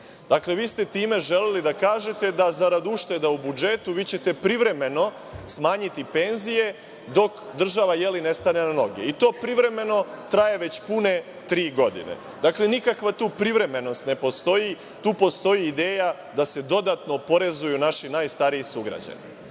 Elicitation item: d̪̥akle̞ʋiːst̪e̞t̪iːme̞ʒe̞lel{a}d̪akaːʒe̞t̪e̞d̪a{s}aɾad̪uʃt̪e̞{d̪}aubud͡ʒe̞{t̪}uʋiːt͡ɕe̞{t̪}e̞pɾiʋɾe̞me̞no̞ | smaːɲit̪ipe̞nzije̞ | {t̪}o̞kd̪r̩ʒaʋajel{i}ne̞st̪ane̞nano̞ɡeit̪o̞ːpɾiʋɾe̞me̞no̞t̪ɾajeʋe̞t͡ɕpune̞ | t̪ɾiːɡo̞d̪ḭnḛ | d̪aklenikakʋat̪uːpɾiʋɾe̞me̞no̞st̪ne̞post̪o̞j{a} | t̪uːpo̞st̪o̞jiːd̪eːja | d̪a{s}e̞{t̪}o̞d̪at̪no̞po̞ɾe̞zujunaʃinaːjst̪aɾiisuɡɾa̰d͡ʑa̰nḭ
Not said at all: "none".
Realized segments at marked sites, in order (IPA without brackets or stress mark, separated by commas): i, z, d̪, t̪, t̪, d̪, i, i, s, d̪